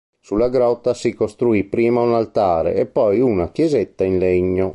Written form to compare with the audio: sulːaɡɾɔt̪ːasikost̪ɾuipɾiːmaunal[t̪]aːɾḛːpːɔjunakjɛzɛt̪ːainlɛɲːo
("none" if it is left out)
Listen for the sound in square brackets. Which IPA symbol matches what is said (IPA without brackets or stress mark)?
t̪